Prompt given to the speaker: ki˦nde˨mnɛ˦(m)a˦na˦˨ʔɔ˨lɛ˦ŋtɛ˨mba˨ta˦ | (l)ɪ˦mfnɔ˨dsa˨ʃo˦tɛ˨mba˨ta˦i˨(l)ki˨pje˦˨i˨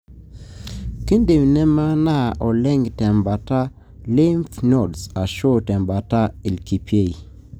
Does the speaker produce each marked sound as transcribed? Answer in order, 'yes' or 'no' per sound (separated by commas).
yes, yes, yes